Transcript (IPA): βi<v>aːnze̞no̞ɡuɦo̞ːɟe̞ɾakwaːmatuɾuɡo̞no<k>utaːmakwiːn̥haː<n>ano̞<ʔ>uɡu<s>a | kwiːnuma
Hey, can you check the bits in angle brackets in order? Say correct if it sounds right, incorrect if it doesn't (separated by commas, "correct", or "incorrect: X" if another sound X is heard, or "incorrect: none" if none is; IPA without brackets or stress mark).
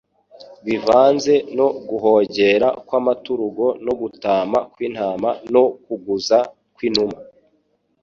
correct, incorrect: ɡ, incorrect: m, incorrect: k, incorrect: z